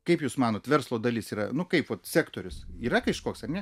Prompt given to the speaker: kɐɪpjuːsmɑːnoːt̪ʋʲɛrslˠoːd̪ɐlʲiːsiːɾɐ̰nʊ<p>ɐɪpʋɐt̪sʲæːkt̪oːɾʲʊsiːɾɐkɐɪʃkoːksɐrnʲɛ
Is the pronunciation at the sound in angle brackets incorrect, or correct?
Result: incorrect: k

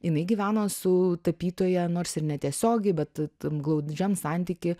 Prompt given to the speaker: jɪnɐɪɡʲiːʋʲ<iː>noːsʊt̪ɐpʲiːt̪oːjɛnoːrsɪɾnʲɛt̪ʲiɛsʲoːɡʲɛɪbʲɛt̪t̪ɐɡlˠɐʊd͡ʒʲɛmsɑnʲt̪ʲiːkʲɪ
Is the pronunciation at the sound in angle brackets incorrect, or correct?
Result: incorrect: æː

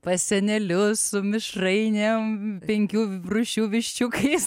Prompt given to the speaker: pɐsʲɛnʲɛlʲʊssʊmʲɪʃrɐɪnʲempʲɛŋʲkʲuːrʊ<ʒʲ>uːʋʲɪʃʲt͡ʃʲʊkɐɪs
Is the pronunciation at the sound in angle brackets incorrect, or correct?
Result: incorrect: ʃʲ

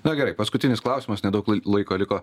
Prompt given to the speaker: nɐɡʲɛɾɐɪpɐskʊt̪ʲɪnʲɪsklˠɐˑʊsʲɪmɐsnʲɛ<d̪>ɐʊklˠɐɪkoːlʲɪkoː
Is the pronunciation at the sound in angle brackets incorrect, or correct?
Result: correct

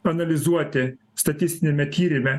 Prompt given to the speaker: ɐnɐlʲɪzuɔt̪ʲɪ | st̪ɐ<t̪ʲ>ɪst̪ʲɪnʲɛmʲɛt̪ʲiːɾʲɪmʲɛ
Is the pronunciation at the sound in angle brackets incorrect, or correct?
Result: correct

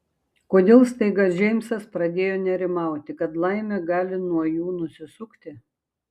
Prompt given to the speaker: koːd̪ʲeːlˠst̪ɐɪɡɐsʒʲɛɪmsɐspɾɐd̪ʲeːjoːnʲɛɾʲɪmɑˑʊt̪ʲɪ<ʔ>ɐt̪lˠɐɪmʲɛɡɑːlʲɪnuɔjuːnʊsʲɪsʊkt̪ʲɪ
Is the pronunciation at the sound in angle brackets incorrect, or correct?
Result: incorrect: k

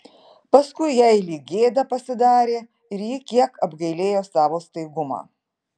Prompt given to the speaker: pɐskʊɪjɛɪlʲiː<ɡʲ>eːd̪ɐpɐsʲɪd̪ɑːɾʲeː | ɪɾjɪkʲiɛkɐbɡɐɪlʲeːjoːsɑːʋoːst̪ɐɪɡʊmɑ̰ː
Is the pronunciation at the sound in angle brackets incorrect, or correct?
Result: correct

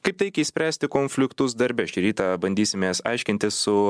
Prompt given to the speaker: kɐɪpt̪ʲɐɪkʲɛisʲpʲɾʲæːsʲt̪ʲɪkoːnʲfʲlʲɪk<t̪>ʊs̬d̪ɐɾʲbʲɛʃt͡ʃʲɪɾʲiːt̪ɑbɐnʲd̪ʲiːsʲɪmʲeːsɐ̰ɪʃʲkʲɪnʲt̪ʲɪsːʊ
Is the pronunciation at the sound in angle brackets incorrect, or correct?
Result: correct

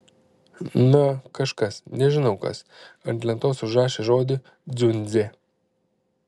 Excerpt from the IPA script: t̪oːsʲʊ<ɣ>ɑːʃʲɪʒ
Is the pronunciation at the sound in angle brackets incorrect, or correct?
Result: incorrect: ʒ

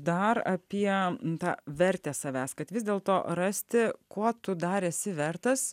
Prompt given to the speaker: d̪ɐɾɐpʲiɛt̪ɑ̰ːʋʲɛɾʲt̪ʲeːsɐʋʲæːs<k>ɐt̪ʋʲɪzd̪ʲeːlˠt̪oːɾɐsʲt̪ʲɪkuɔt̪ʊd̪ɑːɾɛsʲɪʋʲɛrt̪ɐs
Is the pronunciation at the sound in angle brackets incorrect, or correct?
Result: correct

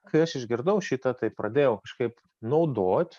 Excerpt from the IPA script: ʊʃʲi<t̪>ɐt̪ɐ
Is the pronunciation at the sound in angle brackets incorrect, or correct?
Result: correct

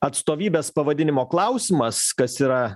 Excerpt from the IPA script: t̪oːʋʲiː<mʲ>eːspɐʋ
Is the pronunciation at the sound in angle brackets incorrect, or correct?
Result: incorrect: bʲ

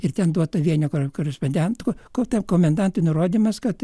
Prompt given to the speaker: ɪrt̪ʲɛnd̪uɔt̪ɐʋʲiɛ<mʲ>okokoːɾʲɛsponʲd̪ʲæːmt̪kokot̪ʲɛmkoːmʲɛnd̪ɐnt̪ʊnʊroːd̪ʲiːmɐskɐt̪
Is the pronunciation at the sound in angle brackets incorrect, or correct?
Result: incorrect: nʲ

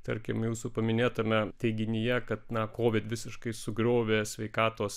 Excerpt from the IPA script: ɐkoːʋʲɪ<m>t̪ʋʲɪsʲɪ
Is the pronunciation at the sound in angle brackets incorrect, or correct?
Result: incorrect: none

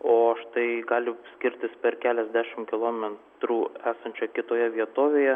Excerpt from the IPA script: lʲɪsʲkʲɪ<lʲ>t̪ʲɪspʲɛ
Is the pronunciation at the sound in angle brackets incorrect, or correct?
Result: incorrect: ɾʲ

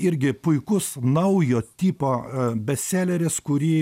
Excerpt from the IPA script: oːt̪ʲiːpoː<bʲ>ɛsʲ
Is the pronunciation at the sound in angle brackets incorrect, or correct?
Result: correct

